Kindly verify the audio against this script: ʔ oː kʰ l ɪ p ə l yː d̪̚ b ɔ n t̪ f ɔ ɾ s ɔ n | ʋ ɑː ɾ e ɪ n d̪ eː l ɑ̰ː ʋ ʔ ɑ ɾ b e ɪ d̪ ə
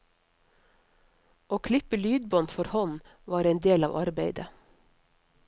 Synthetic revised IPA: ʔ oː kʰ l ɪ p ə l yː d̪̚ b ɔ n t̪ f ɔ ɾ h ɔ n | ʋ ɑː ɾ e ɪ n d̪ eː l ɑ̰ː ʋ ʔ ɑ ɾ b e ɪ d̪ ə